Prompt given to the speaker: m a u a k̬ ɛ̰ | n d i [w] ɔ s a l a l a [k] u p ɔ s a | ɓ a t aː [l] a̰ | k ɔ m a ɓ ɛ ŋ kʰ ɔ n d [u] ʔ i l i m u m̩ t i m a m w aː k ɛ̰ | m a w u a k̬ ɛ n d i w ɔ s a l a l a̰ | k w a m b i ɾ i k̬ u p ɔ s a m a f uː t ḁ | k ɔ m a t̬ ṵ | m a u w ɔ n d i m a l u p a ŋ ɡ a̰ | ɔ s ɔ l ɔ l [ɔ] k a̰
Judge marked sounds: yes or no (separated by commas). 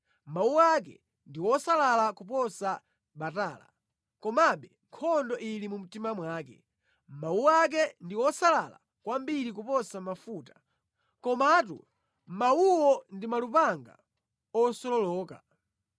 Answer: yes, yes, yes, no, no